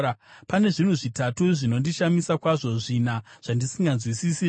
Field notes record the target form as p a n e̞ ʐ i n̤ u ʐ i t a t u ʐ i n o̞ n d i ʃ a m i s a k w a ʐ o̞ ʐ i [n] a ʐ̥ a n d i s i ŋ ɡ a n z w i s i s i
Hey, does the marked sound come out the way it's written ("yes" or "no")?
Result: yes